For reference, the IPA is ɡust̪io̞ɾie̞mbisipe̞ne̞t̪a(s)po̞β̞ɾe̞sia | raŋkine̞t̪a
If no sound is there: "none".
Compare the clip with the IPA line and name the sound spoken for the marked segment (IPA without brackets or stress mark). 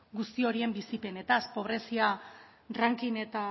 s